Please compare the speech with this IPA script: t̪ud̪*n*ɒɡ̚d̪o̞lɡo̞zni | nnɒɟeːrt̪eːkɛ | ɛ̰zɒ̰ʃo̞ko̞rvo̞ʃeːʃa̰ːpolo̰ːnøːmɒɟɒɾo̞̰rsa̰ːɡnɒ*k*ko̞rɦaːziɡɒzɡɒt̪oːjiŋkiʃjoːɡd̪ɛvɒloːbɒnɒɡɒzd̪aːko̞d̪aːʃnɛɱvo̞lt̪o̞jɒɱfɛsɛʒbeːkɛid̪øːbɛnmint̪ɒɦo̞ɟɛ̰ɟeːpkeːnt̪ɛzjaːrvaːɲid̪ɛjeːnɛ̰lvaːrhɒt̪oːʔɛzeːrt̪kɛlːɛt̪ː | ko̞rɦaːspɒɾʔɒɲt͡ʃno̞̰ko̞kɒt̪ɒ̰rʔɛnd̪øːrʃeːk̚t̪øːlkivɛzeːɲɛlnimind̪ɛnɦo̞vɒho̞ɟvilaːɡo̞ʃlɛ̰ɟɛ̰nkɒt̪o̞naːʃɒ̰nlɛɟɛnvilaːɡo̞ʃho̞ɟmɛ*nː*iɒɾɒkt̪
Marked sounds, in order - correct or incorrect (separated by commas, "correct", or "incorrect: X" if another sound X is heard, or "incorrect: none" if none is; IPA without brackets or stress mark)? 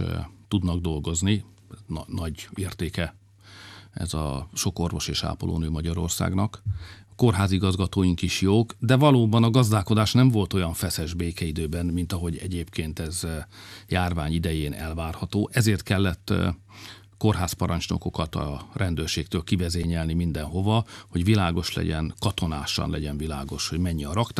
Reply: correct, correct, incorrect: ɲː